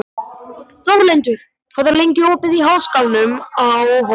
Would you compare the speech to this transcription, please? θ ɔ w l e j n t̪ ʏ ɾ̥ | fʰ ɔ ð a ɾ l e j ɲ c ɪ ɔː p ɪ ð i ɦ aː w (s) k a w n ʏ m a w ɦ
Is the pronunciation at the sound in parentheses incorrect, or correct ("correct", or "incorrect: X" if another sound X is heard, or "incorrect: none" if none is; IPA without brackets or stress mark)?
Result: correct